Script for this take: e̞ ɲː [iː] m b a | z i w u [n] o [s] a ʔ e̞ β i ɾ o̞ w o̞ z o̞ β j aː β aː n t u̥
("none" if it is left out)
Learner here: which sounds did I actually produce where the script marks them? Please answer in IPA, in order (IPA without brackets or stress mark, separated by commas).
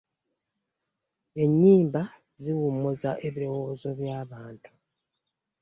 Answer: iː, m, z